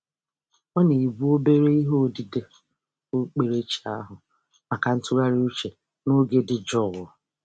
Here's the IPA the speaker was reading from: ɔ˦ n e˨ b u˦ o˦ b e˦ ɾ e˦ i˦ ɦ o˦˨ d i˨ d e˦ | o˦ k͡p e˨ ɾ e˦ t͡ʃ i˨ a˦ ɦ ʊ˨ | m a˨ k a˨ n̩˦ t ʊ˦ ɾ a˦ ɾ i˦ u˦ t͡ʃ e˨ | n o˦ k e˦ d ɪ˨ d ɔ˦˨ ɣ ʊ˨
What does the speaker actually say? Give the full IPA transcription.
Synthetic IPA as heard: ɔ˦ n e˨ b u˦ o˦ b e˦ ɾ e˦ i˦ ɦ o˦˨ d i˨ d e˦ | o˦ k͡p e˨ ɾ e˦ t͡ʃ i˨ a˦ ɦ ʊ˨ | m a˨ k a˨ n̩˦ t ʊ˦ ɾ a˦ ɾ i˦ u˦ t͡ʃ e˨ | n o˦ ɡ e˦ d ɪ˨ d͡ʒ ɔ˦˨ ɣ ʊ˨